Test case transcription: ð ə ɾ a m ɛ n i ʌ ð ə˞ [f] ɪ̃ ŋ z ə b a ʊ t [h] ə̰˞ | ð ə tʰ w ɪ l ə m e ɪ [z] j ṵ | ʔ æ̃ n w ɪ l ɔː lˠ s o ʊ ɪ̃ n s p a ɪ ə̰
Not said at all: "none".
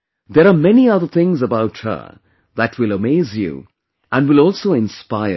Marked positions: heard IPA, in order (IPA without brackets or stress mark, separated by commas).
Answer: θ, h, z